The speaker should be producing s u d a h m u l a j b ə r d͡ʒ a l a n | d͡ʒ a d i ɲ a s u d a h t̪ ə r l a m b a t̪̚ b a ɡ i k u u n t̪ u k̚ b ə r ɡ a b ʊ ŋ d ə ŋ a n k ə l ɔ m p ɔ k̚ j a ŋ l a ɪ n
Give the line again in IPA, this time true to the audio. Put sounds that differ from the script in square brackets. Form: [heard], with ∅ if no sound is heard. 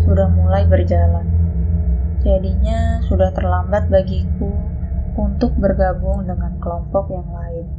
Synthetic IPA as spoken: s u d a h m u l a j b ə r d͡ʒ a l a n | d͡ʒ a d i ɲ a s u d a h t̪ ə r l a m b a t̪̚ b a ɡ i k u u n t̪ [ʊ] k̚ b ə r ɡ a b ʊ ŋ d ə ŋ a n k ə l ɔ m p ɔ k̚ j a ŋ l a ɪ n